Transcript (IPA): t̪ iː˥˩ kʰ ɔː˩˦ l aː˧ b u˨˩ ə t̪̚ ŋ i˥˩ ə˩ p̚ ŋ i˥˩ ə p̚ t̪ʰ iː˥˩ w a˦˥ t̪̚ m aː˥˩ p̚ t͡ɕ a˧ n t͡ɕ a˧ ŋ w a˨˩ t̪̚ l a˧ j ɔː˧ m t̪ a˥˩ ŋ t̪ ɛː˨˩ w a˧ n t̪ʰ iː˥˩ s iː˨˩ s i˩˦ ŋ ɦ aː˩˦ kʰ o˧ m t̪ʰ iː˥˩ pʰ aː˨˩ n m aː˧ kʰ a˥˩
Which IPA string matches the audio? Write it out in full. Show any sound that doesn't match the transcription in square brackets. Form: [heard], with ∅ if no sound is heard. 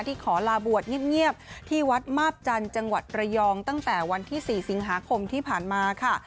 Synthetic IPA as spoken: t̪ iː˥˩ kʰ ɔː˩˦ l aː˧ b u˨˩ ə t̪̚ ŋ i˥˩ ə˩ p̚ ŋ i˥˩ ə p̚ t̪ʰ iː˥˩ w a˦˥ t̪̚ m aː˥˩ p̚ t͡ɕ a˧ n t͡ɕ a˧ ŋ w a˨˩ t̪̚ [ɾ] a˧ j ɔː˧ [ŋ] t̪ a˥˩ ŋ t̪ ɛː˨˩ w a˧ n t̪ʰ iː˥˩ s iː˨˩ s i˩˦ ŋ ɦ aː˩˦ kʰ o˧ m t̪ʰ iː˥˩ pʰ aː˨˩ n m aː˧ kʰ a˥˩